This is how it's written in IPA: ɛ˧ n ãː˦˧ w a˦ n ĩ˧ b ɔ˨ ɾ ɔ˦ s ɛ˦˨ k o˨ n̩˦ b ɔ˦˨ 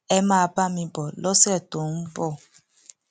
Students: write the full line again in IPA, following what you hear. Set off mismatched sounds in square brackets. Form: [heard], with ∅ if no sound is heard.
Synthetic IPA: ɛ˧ [m] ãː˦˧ [b] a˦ [m] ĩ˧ b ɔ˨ [l] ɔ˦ s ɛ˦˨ [t] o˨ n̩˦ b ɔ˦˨